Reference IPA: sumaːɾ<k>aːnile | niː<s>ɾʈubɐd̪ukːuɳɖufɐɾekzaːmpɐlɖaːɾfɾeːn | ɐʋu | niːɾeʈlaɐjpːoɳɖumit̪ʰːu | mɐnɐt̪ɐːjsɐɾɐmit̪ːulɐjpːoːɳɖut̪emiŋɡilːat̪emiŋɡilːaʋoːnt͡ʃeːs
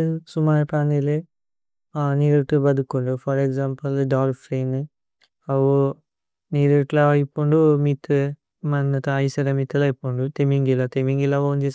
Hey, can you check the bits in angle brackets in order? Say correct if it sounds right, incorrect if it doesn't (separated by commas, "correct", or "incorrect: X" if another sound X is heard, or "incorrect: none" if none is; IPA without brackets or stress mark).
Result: incorrect: p, incorrect: none